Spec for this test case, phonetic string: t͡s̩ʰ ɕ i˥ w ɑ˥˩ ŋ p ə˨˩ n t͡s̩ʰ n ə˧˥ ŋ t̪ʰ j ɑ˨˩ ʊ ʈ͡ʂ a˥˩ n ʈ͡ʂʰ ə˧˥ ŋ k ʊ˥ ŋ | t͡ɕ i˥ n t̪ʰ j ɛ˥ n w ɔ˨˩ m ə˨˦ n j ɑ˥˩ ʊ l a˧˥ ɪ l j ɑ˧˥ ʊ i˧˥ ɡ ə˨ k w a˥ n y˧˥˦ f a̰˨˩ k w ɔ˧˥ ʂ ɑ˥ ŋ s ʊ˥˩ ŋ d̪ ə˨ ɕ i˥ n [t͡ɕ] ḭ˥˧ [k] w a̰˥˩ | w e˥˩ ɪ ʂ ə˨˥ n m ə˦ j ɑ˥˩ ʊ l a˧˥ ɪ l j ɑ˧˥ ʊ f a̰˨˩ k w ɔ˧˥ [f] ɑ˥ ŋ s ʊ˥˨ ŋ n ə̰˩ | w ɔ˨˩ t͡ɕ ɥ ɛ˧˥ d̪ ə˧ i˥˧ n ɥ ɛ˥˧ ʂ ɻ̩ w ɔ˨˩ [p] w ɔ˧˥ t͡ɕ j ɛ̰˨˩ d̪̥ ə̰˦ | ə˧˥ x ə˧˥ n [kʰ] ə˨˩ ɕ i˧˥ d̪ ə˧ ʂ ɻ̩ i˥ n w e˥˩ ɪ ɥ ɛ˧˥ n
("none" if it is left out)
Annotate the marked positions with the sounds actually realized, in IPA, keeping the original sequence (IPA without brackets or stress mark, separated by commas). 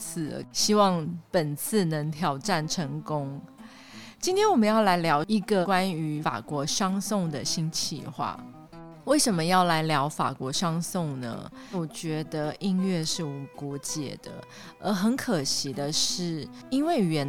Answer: t͡ɕʰ, x, ʂ, k, kʰ